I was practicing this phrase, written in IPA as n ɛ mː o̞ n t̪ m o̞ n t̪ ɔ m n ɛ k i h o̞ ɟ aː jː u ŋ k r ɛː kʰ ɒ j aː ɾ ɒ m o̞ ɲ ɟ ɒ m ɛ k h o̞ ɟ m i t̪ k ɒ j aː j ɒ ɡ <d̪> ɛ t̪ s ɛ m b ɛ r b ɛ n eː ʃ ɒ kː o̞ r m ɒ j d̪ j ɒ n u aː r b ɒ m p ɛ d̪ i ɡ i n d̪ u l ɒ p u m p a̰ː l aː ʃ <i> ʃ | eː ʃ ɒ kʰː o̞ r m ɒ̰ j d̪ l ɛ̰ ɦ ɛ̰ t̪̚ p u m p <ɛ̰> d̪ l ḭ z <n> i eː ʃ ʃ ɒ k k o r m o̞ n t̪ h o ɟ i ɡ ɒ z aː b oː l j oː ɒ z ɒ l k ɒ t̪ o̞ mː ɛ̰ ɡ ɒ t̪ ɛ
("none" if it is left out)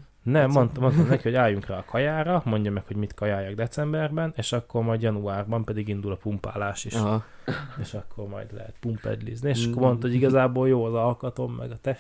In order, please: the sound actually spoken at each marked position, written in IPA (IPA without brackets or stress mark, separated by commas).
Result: d̪, i, ɛ̰, n